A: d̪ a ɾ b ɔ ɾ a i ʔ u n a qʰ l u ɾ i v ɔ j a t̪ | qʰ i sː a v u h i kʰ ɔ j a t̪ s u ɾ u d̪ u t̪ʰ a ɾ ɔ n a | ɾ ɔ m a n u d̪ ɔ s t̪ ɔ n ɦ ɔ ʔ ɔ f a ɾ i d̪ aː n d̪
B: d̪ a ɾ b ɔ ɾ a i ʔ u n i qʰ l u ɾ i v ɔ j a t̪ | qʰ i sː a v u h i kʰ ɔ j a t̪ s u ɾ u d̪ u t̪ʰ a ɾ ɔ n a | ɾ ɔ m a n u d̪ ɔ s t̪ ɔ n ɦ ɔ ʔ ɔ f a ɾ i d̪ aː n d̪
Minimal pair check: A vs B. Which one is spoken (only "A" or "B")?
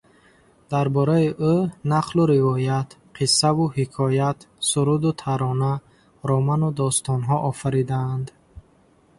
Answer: A